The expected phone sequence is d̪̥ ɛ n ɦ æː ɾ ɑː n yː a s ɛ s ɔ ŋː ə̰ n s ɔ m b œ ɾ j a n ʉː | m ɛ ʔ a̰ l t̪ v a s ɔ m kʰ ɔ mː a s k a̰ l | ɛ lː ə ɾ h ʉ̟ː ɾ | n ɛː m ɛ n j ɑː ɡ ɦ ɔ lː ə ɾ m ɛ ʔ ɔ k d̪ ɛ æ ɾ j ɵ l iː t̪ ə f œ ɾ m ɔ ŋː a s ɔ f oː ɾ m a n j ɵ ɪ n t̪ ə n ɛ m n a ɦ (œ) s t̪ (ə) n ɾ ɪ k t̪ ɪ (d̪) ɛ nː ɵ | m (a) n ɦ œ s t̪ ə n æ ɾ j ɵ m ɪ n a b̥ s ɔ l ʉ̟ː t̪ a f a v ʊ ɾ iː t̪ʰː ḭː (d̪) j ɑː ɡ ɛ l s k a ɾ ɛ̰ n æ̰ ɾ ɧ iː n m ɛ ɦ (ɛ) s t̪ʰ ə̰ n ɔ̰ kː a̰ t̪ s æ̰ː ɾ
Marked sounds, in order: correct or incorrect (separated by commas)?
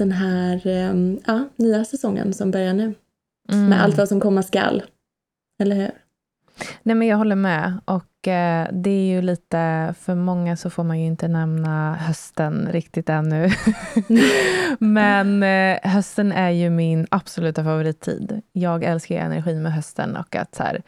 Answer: correct, correct, incorrect, incorrect, correct, incorrect